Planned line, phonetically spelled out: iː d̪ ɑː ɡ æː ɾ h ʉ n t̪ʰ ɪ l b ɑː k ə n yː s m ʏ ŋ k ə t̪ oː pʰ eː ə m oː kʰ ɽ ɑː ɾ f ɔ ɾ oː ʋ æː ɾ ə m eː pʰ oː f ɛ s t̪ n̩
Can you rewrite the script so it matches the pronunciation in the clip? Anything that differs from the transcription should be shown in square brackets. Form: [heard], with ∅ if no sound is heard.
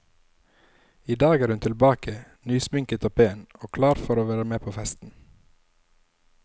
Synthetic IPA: iː d̪ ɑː ɡ æː ɾ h ʉ n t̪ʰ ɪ l b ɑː k ə n yː s m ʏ ŋ k ə t̪ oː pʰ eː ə [n] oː kʰ [l] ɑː ɾ f ɔ ɾ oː ʋ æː ɾ ə m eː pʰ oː f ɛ s t̪ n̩